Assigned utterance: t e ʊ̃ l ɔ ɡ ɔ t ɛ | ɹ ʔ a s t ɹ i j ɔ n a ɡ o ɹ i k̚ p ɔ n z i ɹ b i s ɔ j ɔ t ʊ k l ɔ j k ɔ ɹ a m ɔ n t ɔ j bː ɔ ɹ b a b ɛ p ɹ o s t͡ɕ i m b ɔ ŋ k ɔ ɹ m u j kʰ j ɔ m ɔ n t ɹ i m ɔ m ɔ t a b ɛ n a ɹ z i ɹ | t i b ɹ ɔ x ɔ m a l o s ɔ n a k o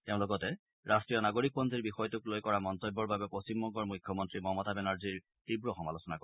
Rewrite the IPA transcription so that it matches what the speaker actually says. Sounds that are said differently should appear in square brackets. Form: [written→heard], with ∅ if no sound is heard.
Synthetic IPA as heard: t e ʊ̃ l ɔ ɡ ɔ t ɛ | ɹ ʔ a s t ɹ i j ɔ n a ɡ o ɹ i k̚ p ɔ n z i ɹ b i [s→x] ɔ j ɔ t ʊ k l [ɔ→o] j k ɔ ɹ a m ɔ n t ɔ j bː ɔ ɹ b a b ɛ p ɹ o s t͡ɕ i m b ɔ ŋ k ɔ ɹ m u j kʰ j ɔ m ɔ n t ɹ i m ɔ m ɔ t a b ɛ n a ɹ z i ɹ | t i b ɹ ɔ x ɔ m a l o s ɔ n a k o

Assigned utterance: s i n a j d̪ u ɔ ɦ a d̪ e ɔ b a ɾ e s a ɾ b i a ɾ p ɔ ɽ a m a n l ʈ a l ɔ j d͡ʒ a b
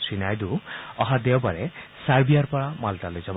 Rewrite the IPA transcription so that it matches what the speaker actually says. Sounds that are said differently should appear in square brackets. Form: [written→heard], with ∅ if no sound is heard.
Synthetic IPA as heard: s i n a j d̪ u ɔ ɦ a d̪ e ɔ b a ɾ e s a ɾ b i a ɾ p ɔ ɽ a m a [n→∅] l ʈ a l [ɔ→o] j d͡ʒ a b

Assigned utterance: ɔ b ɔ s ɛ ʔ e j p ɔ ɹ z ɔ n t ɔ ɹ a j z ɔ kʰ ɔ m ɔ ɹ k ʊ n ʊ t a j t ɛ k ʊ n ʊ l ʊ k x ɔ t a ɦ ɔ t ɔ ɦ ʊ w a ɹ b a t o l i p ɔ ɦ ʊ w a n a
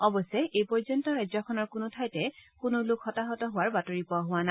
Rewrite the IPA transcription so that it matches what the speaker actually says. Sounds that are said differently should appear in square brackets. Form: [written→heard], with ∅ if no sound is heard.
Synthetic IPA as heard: ɔ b ɔ s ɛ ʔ e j p ɔ ɹ z ɔ n t ɔ ɹ a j z ɔ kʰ ɔ [m→n] ɔ ɹ k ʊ n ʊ [t→tʰ] a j t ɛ k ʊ n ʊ l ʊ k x ɔ t a ɦ ɔ t ɔ ɦ ʊ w a ɹ b a t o [l→ɹ] i p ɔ ɦ ʊ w a n a

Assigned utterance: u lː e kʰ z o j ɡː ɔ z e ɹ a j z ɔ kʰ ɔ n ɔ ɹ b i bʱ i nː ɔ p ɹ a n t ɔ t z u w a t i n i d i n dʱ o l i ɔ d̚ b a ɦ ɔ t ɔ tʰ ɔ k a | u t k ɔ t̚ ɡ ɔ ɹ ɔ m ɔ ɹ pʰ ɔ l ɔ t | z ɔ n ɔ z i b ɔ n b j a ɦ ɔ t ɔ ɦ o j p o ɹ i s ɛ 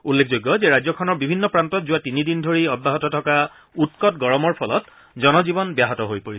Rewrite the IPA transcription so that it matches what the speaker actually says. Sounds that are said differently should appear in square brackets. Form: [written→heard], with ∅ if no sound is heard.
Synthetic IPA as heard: u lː e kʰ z o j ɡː ɔ z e ɹ a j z ɔ kʰ ɔ n ɔ ɹ b i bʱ i nː ɔ p ɹ a n t ɔ t z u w a t i n i d i n dʱ o [l→ɹ] i ɔ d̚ b a ɦ ɔ t ɔ tʰ ɔ k a | u t k ɔ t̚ ɡ ɔ ɹ ɔ m ɔ ɹ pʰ ɔ l ɔ t | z ɔ n ɔ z i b ɔ n b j a ɦ ɔ t ɔ ɦ o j p o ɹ i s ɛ

